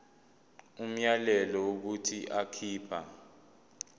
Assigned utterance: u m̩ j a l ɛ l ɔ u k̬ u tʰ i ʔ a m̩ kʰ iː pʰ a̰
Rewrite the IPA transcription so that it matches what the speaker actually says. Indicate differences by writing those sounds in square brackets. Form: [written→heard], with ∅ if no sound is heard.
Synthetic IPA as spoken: u m̩ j a l ɛ l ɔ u k̬ u tʰ i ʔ a [m̩→∅] kʰ iː pʰ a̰